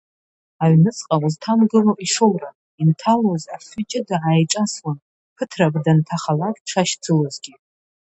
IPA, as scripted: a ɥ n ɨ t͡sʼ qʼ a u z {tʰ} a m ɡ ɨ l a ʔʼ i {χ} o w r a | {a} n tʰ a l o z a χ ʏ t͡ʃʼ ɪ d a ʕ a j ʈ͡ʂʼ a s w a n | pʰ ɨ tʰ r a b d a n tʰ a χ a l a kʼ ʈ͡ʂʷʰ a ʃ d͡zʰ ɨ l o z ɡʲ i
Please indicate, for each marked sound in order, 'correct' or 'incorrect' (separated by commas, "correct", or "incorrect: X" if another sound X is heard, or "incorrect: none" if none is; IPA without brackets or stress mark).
correct, incorrect: ʂ, incorrect: i